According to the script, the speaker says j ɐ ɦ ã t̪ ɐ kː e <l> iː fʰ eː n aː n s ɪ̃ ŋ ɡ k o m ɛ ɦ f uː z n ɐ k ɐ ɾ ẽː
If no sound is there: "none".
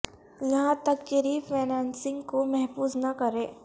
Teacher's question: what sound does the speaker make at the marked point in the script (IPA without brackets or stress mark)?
ɾ